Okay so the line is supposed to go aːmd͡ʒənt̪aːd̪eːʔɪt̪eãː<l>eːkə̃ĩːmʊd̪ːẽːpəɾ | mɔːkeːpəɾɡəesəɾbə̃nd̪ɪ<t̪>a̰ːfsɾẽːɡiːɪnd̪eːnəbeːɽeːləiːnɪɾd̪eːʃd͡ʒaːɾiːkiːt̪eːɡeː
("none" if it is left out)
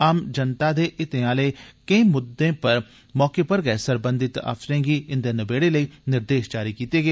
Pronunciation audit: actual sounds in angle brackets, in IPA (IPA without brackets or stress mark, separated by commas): l, t̪